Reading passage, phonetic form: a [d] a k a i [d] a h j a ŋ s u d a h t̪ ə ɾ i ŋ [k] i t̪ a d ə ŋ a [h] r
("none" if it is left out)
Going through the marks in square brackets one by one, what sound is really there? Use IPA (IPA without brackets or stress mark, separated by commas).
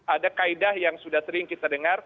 d, d, k, none